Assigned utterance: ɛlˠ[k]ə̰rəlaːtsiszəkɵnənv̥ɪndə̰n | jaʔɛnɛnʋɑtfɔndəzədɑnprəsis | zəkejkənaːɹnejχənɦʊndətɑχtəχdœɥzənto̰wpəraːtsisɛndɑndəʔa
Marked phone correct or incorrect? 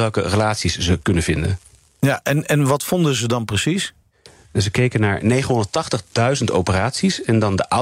correct